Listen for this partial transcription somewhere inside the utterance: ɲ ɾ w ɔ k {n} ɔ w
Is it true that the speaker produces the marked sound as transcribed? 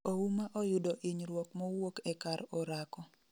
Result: no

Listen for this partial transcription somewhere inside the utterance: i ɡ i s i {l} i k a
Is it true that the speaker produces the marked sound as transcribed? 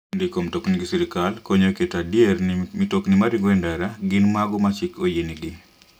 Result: no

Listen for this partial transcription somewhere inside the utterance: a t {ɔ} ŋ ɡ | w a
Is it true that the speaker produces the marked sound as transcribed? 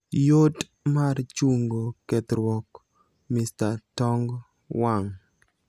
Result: yes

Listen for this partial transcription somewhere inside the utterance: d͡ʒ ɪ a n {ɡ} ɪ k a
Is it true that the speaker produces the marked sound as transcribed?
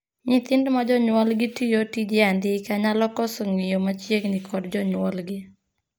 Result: no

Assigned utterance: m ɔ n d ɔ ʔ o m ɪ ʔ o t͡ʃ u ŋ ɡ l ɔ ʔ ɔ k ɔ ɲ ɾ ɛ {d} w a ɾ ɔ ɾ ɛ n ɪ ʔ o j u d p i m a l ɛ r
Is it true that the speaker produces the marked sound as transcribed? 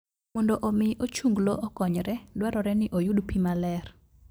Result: yes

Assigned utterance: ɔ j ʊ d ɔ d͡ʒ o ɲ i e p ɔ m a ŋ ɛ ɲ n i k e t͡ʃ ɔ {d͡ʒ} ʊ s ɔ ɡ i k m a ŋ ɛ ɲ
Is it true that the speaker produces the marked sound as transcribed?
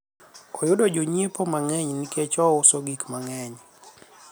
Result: no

